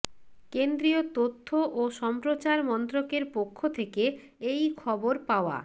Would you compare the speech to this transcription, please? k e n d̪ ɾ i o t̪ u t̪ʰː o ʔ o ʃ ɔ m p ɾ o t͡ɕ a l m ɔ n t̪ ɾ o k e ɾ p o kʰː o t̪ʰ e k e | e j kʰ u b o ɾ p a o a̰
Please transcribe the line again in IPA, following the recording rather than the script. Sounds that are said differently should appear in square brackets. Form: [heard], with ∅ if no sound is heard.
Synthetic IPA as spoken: k e n d̪ ɾ i o t̪ [o] t̪ʰː o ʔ o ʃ ɔ m p ɾ o t͡ɕ a [ɾ] m ɔ n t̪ ɾ o k e ɾ p o kʰː o t̪ʰ e k e | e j kʰ [ɔ] b o ɾ p a o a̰